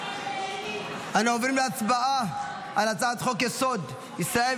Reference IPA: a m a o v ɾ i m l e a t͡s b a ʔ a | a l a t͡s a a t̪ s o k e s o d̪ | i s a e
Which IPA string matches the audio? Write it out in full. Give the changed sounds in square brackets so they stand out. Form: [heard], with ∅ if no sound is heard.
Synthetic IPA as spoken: a [n] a o v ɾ i m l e a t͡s b a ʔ a | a l a t͡s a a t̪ [χ] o k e s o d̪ | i s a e